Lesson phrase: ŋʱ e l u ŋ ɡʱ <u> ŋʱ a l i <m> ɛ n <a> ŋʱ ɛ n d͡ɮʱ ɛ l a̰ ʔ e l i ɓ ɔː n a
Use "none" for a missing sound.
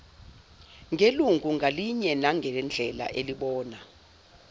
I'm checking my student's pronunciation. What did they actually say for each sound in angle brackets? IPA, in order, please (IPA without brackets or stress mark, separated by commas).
u, ɲ, a